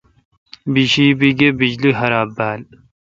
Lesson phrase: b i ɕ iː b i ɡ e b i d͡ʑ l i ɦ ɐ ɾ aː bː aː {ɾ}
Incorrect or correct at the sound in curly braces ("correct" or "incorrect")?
incorrect